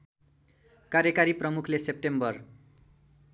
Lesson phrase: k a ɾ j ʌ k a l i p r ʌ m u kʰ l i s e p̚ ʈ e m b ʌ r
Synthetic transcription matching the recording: k a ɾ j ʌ k a ɾ i p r ʌ m u kʰ l e s e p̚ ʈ e m b ʌ r